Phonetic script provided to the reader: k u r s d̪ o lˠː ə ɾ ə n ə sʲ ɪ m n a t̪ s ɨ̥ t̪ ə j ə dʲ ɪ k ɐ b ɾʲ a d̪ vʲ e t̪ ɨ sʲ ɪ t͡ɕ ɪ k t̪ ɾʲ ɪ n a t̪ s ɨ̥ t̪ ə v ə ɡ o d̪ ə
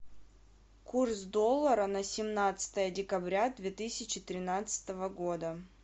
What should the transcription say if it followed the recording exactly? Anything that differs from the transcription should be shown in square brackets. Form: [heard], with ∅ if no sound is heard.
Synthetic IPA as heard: k u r s d̪ o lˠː ə ɾ ə n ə sʲ ɪ m n a t̪ s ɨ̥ t̪ ə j ə dʲ ɪ k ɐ b ɾʲ a d̪ vʲ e t̪ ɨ sʲ ɪ t͡ɕ ɪ [∅] t̪ ɾʲ ɪ n a t̪ s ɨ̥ t̪ ə v ə ɡ o d̪ ə